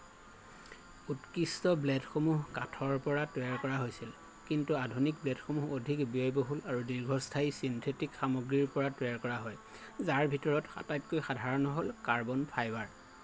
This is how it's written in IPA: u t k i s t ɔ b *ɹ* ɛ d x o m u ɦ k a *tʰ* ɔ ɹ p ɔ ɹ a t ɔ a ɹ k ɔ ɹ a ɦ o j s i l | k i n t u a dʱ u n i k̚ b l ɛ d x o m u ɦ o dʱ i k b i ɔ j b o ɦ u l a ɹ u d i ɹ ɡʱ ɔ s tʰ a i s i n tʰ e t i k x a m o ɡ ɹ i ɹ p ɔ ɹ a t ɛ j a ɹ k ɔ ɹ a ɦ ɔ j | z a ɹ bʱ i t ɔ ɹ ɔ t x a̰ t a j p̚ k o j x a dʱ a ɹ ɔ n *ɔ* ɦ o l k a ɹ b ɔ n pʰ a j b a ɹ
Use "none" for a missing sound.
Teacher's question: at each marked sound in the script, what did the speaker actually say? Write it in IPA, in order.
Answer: l, tʰ, ɔ

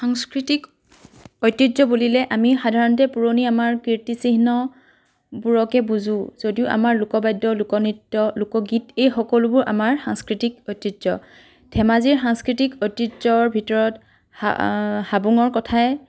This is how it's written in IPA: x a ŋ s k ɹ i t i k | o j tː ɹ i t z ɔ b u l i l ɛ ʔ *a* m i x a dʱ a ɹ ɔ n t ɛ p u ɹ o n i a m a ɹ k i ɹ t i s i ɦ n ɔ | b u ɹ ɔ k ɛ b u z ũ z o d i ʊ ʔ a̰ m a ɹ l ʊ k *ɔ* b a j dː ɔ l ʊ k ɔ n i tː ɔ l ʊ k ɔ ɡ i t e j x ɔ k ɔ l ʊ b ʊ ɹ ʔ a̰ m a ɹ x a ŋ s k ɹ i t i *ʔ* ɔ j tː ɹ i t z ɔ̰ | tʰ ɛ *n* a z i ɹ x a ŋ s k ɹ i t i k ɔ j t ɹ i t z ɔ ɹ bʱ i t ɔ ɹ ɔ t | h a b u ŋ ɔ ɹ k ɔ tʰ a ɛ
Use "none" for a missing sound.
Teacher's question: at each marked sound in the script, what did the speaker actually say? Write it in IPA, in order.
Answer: a, ɔ, k, m

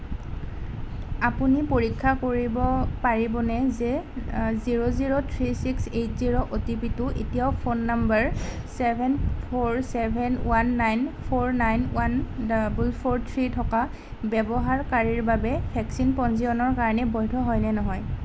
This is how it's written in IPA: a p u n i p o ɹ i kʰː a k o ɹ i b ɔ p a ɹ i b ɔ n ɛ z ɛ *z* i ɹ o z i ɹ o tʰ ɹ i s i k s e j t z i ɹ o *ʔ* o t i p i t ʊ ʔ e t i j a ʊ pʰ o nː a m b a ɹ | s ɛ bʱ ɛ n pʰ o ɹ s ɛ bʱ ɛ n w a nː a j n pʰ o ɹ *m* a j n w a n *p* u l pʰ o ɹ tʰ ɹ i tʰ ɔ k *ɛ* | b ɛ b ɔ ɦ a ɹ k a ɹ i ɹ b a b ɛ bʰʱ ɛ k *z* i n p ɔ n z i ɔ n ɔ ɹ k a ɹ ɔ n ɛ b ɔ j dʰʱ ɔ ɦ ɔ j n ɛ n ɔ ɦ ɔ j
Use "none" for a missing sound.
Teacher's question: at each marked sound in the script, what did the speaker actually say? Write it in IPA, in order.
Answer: z, ʔ, n, b, a, s

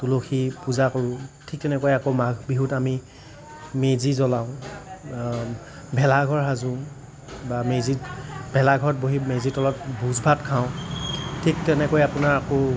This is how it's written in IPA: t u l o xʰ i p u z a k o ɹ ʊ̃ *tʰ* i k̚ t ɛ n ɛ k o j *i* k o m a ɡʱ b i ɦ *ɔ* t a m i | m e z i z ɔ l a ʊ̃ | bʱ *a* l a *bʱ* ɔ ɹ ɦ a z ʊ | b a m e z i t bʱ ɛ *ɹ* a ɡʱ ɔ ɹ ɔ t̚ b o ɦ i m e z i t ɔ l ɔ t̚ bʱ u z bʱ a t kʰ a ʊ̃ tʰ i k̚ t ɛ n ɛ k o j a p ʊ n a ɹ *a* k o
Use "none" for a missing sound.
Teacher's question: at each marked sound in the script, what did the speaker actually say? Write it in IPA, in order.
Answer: tʰ, a, u, ɛ, ɡʱ, l, a

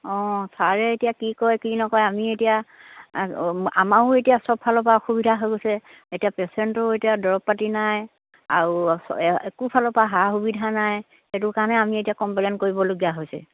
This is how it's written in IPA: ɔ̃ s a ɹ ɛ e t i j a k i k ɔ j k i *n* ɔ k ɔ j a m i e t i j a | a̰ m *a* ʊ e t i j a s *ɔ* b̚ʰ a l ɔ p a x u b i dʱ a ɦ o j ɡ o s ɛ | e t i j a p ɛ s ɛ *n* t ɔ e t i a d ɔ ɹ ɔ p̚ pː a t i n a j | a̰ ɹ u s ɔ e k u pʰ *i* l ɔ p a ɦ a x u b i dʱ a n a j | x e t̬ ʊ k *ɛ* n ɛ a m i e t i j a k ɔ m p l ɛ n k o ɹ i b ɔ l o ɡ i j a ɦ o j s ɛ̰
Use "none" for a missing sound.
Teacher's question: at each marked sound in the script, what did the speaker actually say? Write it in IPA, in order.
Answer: n, a, ɔ, n, a, a

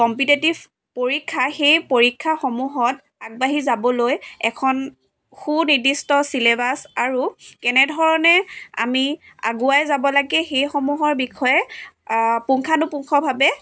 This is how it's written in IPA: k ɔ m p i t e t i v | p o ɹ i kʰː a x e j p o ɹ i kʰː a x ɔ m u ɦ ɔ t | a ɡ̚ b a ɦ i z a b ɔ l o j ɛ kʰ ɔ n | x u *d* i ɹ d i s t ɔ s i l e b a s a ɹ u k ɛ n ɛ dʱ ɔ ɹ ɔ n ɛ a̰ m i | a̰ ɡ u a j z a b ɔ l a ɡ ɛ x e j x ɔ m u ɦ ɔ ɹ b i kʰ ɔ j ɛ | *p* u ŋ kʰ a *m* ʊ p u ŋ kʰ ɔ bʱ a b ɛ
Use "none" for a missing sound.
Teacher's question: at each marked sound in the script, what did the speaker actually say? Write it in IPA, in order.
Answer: n, p, n

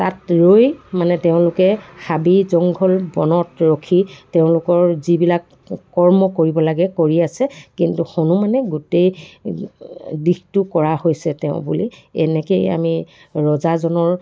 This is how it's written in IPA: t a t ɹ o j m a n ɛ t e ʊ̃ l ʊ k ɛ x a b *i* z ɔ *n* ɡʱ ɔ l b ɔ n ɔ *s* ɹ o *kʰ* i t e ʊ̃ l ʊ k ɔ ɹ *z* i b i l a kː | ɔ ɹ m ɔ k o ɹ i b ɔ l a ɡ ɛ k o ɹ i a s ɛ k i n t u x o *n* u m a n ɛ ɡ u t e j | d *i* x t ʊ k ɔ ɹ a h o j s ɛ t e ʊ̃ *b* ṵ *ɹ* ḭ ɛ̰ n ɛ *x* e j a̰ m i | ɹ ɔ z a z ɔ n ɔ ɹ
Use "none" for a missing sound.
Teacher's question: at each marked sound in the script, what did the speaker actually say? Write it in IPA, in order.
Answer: i, ŋ, t, kʰ, z, n, i, b, l, k

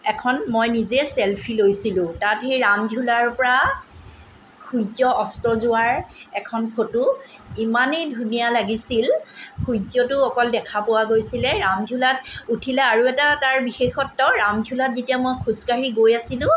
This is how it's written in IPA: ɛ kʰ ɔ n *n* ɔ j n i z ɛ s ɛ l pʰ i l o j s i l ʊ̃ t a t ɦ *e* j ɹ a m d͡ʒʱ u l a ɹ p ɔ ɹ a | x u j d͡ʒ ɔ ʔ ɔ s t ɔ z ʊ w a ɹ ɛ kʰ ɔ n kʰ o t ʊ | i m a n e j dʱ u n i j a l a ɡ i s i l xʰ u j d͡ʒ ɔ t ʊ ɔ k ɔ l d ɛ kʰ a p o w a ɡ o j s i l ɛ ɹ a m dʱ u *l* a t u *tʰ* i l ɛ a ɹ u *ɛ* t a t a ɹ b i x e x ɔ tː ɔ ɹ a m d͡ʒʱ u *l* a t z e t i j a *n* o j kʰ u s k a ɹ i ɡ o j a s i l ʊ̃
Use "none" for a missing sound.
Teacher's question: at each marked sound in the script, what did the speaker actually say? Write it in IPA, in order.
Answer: m, e, l, tʰ, ɛ, l, m

